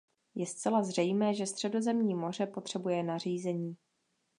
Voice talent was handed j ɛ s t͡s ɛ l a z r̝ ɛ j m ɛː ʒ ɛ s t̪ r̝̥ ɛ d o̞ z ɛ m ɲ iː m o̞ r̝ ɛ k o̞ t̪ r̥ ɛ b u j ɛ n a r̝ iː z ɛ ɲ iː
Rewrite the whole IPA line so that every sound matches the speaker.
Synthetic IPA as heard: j ɛ s t͡s ɛ l a z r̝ ɛ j m ɛː ʒ ɛ s t̪ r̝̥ ɛ d o̞ z ɛ m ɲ iː m o̞ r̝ ɛ p o̞ t̪ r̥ ɛ b u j ɛ n a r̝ iː z ɛ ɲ iː